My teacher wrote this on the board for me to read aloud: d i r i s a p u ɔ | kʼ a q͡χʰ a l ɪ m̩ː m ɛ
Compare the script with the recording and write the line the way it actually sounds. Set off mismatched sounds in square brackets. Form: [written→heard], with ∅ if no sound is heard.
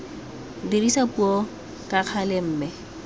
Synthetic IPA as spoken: d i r i s a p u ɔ | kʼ a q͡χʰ a l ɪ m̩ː m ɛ